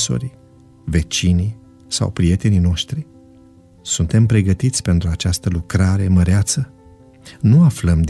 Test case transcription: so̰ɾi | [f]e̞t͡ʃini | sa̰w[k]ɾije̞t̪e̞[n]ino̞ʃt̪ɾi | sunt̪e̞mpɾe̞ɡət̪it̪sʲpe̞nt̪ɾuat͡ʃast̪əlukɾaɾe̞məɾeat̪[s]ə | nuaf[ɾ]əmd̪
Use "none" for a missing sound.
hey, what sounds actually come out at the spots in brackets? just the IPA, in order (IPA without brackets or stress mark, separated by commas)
v, p, n, s, l